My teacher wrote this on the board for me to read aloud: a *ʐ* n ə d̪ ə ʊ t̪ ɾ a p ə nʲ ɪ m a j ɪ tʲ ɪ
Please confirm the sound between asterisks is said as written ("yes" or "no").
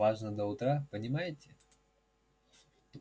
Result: yes